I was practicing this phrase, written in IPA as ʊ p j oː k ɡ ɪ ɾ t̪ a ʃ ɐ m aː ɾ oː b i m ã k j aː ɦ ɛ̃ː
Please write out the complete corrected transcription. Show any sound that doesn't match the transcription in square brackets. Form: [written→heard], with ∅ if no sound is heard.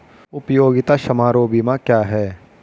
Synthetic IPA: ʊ p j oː [k→∅] ɡ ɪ [ɾ→∅] t̪ a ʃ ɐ m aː ɾ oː b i m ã k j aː ɦ [ɛ̃ː→ɛː]